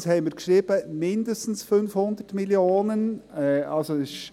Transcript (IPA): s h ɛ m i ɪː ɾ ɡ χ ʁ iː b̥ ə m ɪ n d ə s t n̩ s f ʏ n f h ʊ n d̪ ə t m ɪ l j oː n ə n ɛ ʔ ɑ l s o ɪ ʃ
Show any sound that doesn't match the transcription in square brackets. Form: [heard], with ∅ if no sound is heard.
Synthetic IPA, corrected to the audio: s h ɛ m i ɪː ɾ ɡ [ʃ] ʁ iː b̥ ə m ɪ n d ə s t n̩ s f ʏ n f h ʊ n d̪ ə t m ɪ l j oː n ə n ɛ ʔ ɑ l s o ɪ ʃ